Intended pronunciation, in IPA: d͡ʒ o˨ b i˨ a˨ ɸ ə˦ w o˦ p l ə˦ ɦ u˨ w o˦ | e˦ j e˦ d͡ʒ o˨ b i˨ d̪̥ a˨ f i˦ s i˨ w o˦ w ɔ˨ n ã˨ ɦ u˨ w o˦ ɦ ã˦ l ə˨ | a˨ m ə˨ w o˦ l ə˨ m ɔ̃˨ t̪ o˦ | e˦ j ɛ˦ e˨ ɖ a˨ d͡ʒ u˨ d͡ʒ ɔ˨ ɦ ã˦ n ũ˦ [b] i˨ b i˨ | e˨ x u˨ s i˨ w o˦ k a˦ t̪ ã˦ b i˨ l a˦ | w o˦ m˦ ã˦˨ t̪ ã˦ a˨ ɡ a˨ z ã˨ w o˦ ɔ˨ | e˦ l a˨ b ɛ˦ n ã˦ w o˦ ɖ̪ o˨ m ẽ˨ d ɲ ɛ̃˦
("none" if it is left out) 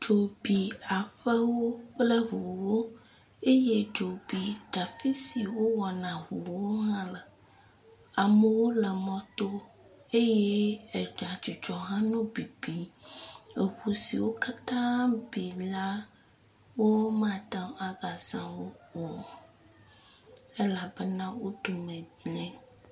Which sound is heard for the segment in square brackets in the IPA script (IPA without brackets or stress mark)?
b